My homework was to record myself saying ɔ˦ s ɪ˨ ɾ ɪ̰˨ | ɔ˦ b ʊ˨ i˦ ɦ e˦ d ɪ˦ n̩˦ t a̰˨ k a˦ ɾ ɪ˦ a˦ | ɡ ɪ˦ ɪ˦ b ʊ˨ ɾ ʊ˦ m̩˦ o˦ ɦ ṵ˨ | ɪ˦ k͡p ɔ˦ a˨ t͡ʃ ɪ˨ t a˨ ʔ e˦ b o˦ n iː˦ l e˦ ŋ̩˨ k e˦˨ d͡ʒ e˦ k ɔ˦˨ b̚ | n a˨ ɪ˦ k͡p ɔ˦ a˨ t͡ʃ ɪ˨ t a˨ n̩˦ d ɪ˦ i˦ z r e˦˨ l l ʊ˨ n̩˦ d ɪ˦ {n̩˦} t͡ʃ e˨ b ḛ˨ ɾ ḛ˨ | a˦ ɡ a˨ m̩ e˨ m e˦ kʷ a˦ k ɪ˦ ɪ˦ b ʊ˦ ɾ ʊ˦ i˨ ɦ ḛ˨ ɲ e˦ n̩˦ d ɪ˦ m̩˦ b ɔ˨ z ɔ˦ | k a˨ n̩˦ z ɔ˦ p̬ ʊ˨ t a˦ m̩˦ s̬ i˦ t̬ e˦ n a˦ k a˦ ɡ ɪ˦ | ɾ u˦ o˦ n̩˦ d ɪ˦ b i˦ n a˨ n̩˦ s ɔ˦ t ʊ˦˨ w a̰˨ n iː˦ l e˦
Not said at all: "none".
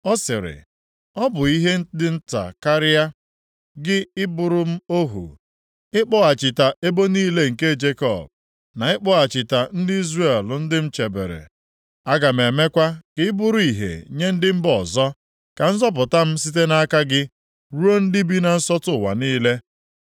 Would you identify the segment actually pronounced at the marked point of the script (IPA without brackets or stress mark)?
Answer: m̩˦